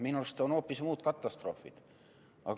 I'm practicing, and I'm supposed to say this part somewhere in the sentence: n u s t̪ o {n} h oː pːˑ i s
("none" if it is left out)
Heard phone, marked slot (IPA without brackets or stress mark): n